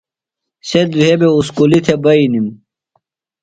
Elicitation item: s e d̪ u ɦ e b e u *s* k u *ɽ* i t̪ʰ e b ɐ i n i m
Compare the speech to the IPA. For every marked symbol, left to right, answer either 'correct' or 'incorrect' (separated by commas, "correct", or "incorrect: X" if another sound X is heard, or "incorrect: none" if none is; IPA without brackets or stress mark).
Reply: correct, incorrect: l